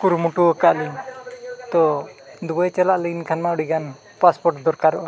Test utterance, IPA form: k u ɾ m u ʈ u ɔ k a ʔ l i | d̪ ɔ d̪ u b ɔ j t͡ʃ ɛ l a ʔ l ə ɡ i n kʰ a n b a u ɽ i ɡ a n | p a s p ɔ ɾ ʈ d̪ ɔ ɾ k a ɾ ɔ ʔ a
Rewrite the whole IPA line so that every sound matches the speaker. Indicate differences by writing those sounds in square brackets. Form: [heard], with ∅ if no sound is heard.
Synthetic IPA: k u ɾ m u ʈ u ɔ k a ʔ l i | [t̪] ɔ d̪ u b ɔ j t͡ʃ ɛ l a ʔ l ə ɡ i n kʰ a n [m] a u ɽ i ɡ a n | p a s p ɔ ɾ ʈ d̪ ɔ ɾ k a ɾ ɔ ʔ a